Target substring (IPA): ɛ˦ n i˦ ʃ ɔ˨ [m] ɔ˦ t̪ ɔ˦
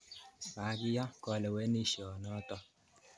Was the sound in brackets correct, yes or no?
no